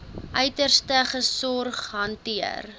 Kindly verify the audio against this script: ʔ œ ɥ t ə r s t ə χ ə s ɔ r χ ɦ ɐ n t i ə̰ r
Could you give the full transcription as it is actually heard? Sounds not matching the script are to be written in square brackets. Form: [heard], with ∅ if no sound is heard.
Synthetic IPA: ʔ œ ɥ t ə r s t ə χ ə s ɔ r χ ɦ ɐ n t i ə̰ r